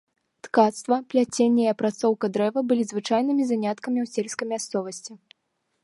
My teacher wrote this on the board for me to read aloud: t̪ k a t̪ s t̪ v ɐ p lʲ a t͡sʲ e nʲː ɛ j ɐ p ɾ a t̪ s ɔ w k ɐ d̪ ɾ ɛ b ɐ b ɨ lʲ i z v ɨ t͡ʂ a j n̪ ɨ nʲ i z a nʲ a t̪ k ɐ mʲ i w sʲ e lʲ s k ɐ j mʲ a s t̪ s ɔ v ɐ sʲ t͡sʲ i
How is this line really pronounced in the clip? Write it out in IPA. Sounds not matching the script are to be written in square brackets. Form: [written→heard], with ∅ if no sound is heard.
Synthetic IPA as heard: t̪ k a t̪ s t̪ v ɐ p lʲ a t͡sʲ e nʲː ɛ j ɐ p ɾ a t̪ s ɔ w k ɐ d̪ ɾ ɛ [b→v] ɐ b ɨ lʲ i z v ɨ t͡ʂ a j n̪ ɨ [nʲ→mʲ] i z a nʲ a t̪ k ɐ mʲ i w sʲ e lʲ s k ɐ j mʲ a s t̪ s ɔ v ɐ sʲ t͡sʲ i